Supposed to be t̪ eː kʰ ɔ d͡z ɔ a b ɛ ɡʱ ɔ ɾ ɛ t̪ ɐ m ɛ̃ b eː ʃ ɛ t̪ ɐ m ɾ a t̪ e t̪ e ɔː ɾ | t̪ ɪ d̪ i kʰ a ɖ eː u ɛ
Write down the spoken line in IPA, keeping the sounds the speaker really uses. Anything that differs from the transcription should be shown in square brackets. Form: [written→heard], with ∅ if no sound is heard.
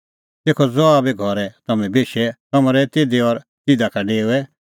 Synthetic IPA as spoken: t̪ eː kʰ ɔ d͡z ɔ a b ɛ ɡʱ ɔ ɾ ɛ t̪ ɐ m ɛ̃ b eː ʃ ɛ t̪ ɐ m ɾ [a→ɛ] t̪ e [t̪→d̪] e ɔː ɾ | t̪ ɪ d̪ [i→a] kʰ a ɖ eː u ɛ